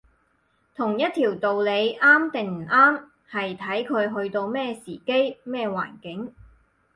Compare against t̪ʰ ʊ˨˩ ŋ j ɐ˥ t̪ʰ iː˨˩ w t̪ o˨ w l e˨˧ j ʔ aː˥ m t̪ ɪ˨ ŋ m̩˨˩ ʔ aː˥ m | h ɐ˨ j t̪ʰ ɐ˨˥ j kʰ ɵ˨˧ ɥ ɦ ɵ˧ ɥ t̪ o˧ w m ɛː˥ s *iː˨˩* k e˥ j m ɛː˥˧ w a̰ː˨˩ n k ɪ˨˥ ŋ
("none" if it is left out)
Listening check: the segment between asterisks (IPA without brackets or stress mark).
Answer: iː˨˩